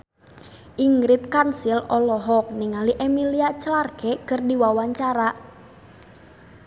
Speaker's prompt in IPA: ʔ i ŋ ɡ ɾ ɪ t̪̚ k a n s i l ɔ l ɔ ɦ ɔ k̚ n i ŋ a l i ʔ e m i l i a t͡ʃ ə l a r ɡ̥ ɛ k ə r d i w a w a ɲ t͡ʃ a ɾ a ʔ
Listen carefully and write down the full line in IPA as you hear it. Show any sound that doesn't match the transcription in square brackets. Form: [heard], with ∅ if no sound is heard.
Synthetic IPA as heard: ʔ i ŋ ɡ ɾ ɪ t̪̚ k a n s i l ɔ l ɔ ɦ ɔ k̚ n i ŋ a l i ʔ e m i l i a t͡ʃ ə l a r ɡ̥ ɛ k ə r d i w a w a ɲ t͡ʃ a ɾ a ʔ